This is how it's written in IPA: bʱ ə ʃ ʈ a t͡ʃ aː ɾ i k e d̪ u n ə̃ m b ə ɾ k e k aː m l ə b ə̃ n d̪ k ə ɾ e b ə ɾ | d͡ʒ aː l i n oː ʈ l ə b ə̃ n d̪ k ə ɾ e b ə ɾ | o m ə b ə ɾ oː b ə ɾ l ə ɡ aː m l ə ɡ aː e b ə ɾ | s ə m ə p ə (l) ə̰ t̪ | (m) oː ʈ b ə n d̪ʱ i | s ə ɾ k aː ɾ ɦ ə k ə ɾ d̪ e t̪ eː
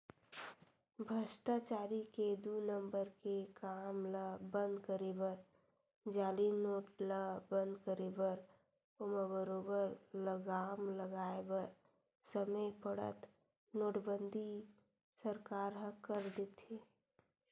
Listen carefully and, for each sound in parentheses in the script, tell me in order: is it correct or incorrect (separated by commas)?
incorrect, incorrect